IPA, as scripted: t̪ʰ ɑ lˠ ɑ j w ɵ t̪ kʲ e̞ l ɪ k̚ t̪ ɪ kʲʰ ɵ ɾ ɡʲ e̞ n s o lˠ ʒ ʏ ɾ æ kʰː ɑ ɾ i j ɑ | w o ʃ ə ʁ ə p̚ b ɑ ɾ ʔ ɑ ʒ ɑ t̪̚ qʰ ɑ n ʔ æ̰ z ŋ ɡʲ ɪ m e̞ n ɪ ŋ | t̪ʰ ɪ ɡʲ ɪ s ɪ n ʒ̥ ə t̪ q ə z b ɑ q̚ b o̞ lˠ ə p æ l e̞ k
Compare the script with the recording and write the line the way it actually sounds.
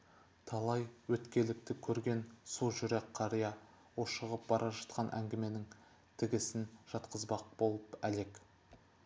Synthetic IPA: t̪ʰ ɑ lˠ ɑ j w ɵ t̪ kʲ e̞ l ɪ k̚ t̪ ɪ kʲʰ ɵ ɾ ɡʲ e̞ n s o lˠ ʒ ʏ ɾ e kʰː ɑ ɾ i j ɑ | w o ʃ ə ʁ ə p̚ b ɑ ɾ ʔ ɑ ʒ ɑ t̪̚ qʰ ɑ n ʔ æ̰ ŋ ɡʲ ɪ m e̞ n ɪ ŋ | t̪ʰ ɪ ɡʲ ɪ s ɪ n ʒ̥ ɑ t̪ q ə z b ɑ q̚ b o̞ lˠ ə p æ l e̞ k